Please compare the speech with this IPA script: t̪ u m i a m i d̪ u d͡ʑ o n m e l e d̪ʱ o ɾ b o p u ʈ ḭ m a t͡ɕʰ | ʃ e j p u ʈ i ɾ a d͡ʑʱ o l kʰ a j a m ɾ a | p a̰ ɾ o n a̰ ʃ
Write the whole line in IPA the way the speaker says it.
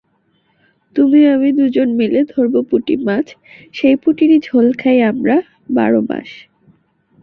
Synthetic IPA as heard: t̪ u m i a m i d̪ u d͡ʑ o n m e l e d̪ʱ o ɾ b o p u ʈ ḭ m a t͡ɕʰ | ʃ e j p u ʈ i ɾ i d͡ʑʱ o l kʰ a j a m ɾ a | b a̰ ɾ o m a̰ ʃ